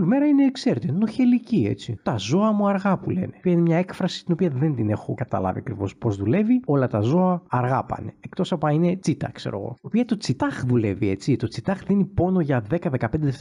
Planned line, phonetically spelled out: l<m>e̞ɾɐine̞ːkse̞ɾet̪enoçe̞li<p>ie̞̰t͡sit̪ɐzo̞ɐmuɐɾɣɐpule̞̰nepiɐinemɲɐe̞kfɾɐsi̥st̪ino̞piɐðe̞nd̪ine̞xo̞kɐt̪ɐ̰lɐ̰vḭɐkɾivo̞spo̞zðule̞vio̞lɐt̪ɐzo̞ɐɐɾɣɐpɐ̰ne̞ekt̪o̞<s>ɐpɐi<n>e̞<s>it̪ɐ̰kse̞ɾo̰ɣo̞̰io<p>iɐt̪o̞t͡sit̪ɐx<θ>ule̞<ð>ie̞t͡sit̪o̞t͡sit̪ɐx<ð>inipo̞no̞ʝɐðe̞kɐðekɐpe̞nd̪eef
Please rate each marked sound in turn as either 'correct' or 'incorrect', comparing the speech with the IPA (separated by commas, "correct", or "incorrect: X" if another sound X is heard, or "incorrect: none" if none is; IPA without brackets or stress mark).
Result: correct, incorrect: c, correct, correct, incorrect: t͡s, correct, incorrect: ð, incorrect: v, correct